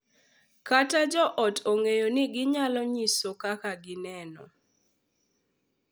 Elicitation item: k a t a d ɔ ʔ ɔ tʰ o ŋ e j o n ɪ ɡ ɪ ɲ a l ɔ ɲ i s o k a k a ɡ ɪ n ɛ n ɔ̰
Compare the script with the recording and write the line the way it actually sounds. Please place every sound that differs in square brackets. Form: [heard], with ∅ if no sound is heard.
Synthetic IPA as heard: k a t a [d͡ʒ] ɔ ʔ ɔ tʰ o ŋ e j o n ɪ ɡ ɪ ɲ a l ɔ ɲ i s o k a k a ɡ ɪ n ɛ n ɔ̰